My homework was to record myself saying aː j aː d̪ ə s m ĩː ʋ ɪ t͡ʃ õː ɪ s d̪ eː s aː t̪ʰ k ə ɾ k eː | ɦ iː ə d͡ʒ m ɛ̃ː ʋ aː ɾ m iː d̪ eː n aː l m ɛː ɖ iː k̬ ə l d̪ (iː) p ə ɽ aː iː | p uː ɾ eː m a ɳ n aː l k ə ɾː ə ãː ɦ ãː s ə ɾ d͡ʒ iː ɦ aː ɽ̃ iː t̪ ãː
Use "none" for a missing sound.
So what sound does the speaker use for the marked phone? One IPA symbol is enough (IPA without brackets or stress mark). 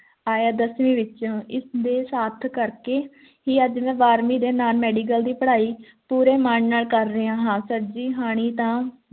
iː